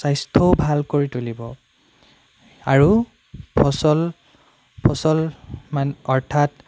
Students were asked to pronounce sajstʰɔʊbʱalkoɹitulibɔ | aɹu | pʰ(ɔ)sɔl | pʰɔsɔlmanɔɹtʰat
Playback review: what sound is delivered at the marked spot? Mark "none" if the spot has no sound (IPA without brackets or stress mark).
ɔ